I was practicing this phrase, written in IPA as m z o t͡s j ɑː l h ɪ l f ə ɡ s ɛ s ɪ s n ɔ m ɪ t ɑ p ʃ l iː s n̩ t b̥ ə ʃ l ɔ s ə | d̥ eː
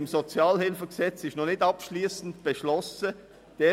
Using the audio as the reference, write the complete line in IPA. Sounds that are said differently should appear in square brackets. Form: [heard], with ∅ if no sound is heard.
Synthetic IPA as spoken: m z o t͡s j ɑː l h ɪ l f ə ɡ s ɛ [t͡s] ɪ [ʃ] n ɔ [n] ɪ t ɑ p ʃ l iː s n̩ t b̥ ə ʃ l ɔ s ə | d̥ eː